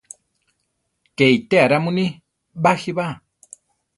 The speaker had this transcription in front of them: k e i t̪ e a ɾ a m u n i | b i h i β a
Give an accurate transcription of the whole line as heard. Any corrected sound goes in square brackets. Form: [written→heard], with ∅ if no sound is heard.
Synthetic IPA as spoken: k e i t̪ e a ɾ a m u n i | b [i→a] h i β a